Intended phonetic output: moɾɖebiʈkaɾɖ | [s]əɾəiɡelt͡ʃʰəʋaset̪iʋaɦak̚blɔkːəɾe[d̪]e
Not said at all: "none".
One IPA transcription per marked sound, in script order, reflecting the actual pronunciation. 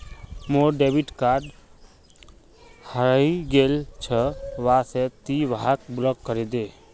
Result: h, d̪

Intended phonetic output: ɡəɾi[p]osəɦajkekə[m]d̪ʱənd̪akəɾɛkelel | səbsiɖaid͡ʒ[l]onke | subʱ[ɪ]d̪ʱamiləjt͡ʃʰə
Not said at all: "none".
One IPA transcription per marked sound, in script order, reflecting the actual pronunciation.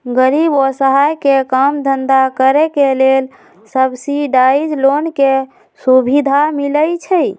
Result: b, m, l, i

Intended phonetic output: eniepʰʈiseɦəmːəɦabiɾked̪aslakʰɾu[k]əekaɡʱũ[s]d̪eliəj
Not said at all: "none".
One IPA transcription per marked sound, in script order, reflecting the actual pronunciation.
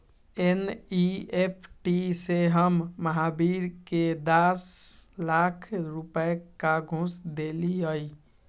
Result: p, s

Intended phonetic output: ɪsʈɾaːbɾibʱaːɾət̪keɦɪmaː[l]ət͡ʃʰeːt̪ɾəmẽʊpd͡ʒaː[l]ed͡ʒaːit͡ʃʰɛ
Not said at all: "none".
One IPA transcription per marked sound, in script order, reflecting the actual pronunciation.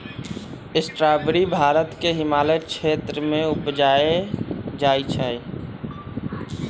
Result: l, none

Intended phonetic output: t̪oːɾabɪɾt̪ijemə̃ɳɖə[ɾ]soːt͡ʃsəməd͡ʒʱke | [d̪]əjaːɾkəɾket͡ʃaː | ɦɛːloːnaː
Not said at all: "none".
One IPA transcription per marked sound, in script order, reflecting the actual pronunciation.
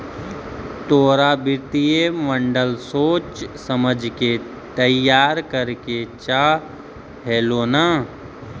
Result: l, t̪

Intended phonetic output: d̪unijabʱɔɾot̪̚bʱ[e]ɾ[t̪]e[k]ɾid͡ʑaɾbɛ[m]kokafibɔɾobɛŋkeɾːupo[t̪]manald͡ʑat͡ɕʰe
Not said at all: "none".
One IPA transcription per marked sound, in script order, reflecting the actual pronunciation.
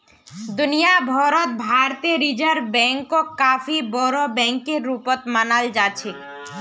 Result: a, t̪, none, ŋ, t̪

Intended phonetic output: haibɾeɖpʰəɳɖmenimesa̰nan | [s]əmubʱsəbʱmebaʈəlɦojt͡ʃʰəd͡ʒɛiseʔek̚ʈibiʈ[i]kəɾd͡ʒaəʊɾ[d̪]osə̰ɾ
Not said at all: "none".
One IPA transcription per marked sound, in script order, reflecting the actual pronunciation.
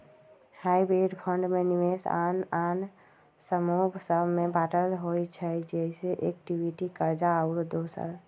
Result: s, i, d̪

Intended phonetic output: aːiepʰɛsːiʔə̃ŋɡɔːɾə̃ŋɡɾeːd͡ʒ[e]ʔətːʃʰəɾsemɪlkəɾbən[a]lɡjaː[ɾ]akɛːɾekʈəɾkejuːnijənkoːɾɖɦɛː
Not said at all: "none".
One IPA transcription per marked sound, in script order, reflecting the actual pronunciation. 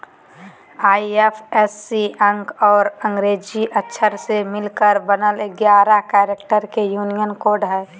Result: i, ə, ɾ

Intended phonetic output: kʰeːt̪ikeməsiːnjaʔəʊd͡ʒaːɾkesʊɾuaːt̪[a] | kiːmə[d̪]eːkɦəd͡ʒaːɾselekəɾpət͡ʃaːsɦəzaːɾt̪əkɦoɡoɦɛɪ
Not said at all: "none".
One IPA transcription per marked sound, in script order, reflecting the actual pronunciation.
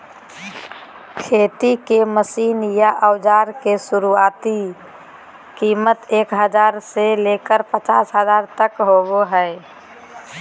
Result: i, t̪

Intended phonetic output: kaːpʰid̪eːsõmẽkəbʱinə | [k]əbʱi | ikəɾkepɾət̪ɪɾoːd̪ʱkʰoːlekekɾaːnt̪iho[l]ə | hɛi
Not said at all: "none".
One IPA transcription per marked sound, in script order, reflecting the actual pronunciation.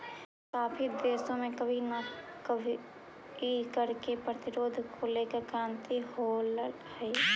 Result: k, l

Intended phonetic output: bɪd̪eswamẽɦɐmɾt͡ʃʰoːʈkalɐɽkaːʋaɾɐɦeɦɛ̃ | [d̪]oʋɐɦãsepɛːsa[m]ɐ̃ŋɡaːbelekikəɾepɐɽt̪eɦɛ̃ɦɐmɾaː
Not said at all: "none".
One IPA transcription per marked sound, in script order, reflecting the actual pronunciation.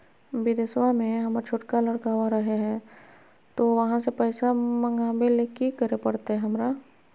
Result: t̪, m

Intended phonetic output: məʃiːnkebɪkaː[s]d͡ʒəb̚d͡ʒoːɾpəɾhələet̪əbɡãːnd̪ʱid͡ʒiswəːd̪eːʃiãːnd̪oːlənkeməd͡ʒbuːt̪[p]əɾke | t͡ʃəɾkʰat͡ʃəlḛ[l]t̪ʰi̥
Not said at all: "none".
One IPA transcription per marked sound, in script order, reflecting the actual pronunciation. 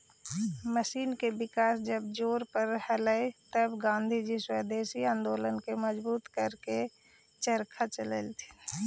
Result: s, k, l

